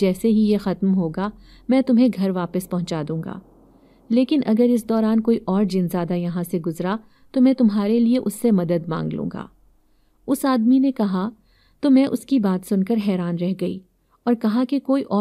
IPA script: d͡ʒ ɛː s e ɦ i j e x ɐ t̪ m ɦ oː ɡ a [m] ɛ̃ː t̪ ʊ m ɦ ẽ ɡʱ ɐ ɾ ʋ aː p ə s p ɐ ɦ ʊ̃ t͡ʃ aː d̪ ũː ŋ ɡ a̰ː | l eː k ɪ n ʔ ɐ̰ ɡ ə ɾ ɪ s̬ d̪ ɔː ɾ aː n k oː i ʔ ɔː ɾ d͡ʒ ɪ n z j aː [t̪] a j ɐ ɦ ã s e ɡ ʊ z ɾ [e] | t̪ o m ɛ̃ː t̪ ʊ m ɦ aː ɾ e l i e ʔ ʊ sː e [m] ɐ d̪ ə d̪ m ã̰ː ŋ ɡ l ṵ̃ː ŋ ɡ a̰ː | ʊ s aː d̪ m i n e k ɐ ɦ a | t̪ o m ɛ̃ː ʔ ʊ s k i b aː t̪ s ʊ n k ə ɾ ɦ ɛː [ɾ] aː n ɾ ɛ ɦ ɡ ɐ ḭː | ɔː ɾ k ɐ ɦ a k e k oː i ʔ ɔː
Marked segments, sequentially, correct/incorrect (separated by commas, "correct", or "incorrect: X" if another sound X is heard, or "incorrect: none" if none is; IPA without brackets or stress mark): correct, incorrect: d̪, incorrect: a, correct, correct